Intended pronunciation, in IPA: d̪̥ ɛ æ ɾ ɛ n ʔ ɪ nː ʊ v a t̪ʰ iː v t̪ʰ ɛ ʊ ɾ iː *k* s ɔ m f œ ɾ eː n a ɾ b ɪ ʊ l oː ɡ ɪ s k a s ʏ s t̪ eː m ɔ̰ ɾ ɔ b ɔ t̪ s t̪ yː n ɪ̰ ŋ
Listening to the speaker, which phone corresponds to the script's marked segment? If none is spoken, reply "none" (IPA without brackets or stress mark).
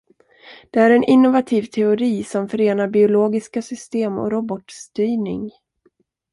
none